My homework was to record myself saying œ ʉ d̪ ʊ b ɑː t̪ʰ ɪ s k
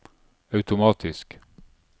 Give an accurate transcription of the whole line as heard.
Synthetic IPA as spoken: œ ʉ t̪ ʊ m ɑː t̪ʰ ɪ s k